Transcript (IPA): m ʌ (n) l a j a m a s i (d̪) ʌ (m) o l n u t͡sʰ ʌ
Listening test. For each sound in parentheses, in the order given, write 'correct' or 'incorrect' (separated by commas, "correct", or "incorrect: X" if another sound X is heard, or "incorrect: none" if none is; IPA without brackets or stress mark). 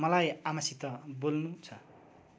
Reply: incorrect: none, incorrect: t̪, incorrect: b